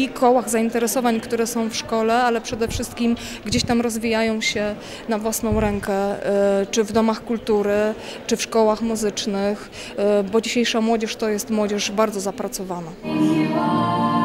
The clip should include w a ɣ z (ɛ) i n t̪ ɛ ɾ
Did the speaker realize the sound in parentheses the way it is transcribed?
no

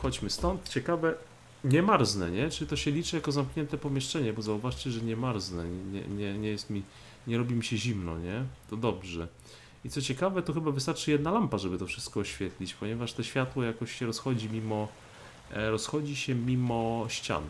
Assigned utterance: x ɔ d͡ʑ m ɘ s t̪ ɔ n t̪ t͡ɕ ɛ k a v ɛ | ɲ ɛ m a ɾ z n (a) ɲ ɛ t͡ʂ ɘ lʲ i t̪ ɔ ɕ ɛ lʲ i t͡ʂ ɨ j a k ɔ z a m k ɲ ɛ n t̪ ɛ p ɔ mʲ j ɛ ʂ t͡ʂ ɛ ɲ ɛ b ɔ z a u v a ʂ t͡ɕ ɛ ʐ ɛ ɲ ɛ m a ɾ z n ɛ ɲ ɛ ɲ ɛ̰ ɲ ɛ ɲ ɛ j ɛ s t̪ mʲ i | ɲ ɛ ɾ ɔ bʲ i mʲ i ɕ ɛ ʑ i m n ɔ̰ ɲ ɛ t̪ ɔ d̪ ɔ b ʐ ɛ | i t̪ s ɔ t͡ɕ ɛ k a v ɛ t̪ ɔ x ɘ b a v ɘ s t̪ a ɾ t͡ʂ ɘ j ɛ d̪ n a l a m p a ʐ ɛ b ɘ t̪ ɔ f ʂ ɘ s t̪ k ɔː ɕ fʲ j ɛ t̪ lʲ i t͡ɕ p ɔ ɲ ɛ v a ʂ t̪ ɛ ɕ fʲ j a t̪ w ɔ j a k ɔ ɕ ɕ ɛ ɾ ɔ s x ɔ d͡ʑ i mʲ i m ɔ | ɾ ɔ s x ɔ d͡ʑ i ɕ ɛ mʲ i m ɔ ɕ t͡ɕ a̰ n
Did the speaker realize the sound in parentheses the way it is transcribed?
no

